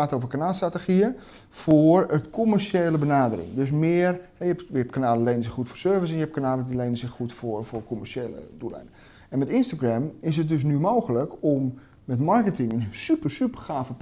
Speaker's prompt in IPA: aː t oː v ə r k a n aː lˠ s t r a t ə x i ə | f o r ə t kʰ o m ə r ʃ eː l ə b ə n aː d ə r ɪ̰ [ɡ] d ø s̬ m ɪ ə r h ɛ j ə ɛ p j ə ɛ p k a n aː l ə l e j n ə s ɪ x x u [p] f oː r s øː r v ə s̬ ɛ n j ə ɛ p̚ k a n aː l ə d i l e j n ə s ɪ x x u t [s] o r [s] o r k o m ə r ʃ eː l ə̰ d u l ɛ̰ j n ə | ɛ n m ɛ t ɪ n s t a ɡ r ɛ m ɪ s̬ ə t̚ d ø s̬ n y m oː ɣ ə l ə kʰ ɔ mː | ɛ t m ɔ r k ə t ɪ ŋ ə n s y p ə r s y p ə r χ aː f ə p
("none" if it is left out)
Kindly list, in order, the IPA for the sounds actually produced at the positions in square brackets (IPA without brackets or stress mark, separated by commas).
ŋ, t, f, f